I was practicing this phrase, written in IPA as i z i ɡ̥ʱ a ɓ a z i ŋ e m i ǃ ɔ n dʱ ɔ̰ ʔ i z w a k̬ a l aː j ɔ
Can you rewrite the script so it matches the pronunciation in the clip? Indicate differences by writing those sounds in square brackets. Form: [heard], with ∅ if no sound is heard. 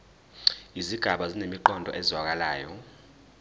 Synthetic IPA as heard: i z i ɡ̥ʱ a ɓ a z i [n] e m i ǃ ɔ n dʱ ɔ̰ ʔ [ɛ] z w a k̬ a l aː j ɔ